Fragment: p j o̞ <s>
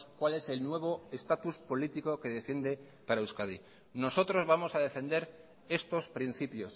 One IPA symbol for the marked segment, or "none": s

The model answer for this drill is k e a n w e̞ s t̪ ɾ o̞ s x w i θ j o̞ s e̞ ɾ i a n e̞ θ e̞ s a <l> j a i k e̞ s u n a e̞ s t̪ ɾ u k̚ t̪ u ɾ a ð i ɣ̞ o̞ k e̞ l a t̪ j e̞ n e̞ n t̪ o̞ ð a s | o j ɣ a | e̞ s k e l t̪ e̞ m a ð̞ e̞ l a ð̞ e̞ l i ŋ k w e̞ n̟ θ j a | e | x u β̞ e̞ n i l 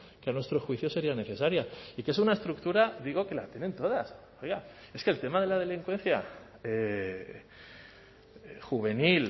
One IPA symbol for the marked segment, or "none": ɾ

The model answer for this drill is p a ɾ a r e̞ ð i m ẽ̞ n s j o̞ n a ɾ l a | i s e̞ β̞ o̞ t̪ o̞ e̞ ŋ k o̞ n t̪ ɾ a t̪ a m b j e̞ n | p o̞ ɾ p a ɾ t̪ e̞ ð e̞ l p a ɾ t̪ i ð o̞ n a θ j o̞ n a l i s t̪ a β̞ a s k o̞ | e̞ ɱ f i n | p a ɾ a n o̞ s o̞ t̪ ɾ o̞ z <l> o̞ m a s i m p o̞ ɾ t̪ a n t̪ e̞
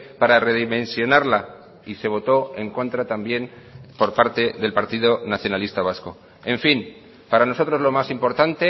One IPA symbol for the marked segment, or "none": l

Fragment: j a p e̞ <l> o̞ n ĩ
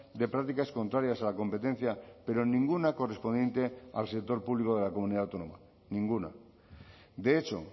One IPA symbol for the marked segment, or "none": ɾ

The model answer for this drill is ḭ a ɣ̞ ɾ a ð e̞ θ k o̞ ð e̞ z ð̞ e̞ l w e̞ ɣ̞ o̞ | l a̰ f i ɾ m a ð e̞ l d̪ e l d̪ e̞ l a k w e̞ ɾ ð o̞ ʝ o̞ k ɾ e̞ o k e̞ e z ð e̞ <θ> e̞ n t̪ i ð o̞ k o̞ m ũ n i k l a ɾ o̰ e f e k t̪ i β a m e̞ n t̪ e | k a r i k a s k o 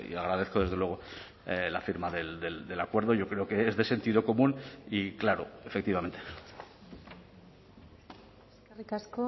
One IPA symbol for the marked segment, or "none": s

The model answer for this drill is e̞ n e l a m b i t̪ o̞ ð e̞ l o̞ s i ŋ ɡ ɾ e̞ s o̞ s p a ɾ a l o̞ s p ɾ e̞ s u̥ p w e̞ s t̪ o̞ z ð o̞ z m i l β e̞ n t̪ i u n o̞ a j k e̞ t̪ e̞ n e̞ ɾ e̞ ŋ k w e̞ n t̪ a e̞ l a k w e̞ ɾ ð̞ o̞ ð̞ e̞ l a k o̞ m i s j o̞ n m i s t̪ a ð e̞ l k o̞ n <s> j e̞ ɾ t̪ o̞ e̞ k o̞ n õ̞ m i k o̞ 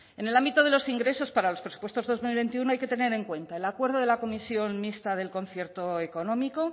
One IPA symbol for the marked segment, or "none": θ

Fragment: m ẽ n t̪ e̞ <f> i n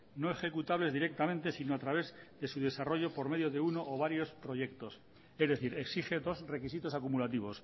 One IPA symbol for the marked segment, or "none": s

